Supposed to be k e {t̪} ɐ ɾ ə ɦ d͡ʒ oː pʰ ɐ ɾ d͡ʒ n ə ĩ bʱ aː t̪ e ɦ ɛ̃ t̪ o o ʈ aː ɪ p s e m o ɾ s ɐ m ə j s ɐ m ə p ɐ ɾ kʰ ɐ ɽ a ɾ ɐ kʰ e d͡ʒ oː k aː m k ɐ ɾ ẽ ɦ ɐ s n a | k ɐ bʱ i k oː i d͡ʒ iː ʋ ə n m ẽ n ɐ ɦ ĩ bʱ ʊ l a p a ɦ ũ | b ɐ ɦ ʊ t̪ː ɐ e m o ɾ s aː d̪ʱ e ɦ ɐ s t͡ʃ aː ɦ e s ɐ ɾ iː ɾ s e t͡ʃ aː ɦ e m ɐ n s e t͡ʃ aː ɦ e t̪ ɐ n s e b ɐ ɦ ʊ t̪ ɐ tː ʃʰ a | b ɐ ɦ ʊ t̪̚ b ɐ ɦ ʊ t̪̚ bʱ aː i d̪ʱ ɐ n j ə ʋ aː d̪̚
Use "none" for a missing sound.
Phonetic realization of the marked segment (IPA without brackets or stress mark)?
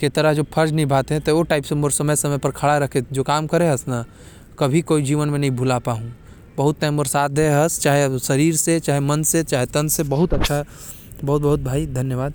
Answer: t̪